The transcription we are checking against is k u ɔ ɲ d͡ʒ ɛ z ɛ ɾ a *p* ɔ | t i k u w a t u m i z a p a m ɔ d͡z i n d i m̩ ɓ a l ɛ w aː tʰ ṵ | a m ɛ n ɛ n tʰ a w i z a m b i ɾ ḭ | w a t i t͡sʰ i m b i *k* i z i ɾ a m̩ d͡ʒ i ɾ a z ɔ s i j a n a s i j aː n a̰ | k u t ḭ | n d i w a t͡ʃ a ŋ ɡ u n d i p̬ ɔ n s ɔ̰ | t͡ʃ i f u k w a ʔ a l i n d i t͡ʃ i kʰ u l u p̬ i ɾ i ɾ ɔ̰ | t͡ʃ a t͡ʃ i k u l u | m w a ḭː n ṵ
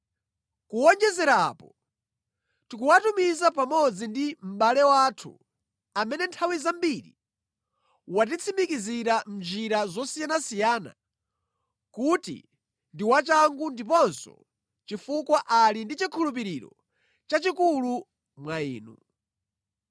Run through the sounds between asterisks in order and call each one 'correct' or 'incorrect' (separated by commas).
correct, correct